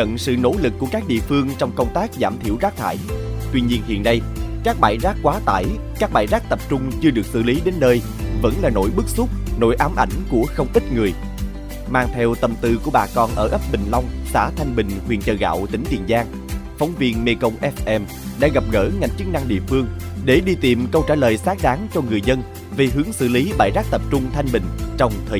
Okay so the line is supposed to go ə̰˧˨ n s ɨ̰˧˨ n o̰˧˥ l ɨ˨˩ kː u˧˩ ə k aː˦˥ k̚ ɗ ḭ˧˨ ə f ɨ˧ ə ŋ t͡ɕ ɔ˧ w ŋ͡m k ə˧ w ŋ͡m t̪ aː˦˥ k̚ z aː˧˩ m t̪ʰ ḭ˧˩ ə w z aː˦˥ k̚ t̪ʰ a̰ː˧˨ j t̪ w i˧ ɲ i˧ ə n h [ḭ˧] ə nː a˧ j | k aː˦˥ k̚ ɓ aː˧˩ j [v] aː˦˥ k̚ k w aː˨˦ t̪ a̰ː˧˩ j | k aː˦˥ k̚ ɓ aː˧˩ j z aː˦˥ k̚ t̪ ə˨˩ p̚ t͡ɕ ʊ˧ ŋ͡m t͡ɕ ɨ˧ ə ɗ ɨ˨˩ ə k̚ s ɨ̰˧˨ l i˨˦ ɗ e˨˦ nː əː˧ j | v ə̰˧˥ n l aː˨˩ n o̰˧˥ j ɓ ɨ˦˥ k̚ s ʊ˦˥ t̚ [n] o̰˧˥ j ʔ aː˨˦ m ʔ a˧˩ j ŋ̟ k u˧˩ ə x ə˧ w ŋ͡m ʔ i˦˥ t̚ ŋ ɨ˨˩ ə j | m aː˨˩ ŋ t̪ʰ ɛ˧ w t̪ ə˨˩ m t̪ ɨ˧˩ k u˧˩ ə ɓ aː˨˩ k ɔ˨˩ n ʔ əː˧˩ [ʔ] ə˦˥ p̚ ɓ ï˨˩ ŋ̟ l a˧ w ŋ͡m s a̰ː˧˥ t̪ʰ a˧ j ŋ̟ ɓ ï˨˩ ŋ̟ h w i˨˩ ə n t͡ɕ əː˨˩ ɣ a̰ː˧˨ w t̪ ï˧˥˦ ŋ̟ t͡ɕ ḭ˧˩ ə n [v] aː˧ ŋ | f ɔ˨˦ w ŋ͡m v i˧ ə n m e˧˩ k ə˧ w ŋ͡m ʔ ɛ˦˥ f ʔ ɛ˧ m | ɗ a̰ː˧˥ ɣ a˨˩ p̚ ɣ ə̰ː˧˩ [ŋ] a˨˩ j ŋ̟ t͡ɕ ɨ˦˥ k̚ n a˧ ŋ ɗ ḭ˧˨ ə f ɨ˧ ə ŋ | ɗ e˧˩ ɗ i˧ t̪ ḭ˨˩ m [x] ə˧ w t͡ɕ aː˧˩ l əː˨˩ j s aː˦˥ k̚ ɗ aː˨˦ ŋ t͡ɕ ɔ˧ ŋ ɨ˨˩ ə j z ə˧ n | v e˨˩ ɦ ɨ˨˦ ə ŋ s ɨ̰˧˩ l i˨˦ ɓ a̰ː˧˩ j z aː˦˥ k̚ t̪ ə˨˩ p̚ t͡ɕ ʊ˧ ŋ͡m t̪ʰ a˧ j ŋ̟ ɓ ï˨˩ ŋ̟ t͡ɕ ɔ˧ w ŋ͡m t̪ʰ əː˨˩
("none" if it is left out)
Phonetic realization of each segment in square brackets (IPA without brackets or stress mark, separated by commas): ḭ˧, z, n, ʔ, z, ŋ, k